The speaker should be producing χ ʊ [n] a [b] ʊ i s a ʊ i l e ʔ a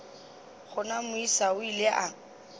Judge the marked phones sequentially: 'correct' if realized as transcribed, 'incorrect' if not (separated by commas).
correct, incorrect